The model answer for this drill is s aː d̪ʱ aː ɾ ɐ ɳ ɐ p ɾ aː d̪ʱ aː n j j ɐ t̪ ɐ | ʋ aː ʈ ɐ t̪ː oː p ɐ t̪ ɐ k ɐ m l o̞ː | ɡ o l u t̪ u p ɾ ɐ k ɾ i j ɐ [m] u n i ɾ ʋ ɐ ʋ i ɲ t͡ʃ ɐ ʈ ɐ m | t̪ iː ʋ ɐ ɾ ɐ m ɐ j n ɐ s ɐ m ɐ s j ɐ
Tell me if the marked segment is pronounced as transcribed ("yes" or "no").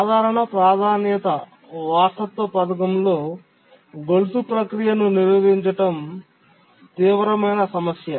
no